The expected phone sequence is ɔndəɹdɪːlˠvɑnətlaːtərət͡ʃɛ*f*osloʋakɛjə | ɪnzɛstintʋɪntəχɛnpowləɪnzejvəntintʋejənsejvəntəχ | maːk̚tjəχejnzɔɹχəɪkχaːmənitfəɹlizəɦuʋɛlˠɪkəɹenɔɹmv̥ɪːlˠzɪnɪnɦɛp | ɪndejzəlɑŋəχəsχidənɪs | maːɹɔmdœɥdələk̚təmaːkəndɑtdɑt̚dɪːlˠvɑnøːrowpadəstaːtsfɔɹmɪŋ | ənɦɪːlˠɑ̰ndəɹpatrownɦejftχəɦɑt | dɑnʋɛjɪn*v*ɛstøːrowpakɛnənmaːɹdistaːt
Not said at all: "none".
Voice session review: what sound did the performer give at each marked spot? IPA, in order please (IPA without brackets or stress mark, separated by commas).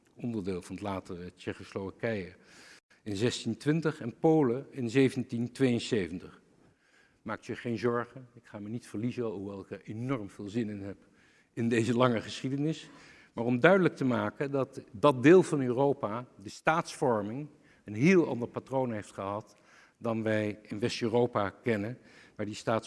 χ, ʋ